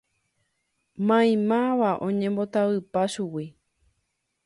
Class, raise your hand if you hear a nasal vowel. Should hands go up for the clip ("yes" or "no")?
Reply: yes